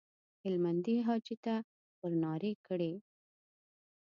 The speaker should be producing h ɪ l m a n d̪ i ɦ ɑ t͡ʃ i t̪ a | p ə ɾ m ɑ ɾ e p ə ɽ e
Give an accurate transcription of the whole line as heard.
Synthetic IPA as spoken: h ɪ l m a n d̪ i ɦ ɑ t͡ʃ i t̪ a | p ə ɾ n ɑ ɾ e k ə ɽ e